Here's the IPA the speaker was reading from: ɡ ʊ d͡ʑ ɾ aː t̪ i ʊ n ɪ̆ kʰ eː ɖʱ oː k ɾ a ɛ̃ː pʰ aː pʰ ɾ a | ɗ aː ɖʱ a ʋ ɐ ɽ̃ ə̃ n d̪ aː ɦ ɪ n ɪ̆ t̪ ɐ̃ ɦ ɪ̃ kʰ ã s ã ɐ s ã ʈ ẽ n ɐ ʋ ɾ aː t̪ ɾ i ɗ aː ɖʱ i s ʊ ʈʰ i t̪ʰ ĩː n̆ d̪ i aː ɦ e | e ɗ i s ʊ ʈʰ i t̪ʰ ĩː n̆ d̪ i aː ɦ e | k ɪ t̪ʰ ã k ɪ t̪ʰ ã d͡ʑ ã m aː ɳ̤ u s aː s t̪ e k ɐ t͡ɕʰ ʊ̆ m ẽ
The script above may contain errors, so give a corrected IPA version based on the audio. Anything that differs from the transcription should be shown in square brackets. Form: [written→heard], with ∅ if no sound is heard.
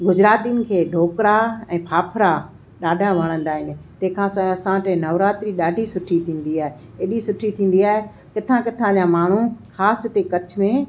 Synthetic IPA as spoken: ɡ ʊ d͡ʑ ɾ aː t̪ i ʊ n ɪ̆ kʰ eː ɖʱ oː k ɾ a ɛ̃ː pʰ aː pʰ ɾ a | ɗ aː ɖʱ a ʋ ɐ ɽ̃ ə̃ n d̪ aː ɦ ɪ n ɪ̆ t̪ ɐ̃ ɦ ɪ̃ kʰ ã s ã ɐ s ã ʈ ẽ n ɐ ʋ ɾ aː t̪ ɾ i ɗ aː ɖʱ i s ʊ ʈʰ i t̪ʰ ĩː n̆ d̪ i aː ɦ e | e ɗ i s ʊ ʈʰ i t̪ʰ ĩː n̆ d̪ i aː ɦ e | k ɪ t̪ʰ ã k ɪ t̪ʰ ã d͡ʑ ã m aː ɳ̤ u [s→x] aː s t̪ e k ɐ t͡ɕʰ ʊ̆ m ẽ